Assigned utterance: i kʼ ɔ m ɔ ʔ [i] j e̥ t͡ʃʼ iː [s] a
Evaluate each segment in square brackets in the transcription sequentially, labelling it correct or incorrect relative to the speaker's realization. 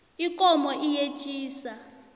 correct, correct

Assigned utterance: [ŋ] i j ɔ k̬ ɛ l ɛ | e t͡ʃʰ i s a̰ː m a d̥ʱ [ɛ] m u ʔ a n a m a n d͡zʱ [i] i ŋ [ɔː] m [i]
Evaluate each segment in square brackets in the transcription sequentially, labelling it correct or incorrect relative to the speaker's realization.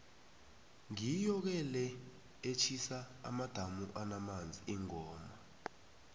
correct, incorrect: a, correct, correct, incorrect: a

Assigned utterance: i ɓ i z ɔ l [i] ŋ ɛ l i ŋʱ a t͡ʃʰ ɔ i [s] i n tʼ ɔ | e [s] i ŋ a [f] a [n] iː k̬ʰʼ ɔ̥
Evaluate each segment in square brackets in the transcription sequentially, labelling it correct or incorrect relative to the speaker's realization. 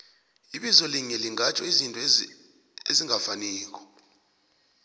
correct, incorrect: z, incorrect: z, correct, correct

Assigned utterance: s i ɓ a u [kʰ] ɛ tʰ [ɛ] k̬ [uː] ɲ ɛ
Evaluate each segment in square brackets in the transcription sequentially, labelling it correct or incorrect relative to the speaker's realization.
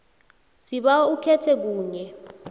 correct, correct, correct

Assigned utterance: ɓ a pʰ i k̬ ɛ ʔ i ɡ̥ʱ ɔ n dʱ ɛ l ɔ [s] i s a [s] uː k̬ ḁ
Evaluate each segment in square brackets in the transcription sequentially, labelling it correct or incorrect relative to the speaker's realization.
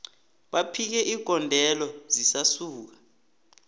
incorrect: z, correct

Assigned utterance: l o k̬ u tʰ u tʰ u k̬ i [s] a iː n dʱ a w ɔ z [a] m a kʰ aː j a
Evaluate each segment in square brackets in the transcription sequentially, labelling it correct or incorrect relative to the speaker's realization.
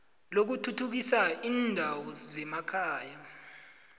correct, incorrect: ɛ

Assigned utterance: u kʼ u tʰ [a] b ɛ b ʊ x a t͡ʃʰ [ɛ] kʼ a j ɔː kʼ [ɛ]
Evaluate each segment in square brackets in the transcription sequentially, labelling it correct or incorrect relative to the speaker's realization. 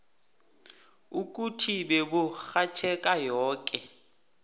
incorrect: i, correct, correct

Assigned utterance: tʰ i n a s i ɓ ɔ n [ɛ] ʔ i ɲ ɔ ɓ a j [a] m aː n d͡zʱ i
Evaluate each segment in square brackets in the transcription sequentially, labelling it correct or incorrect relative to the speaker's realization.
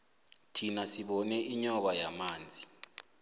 correct, correct

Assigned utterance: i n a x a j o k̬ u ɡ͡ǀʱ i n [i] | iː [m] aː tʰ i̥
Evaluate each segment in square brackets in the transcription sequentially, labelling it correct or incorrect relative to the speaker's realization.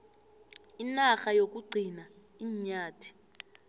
incorrect: a, incorrect: ɲ

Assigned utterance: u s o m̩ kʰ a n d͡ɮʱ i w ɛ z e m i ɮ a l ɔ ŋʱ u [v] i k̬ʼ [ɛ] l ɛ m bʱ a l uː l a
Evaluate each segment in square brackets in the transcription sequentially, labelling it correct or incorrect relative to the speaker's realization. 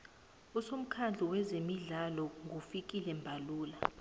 incorrect: f, incorrect: i

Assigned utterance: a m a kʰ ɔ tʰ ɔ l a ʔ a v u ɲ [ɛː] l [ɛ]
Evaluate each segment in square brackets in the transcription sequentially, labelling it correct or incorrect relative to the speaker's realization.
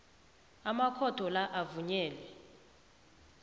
correct, correct

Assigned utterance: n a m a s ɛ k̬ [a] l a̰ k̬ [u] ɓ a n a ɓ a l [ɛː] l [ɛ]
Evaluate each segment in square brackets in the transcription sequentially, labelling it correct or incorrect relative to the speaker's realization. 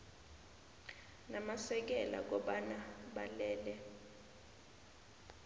incorrect: ɛ, incorrect: ɔ, correct, correct

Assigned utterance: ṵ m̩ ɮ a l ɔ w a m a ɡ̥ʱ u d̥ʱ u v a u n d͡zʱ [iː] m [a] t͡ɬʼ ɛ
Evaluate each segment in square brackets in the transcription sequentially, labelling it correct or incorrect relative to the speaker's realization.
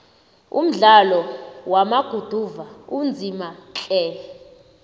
incorrect: i, correct

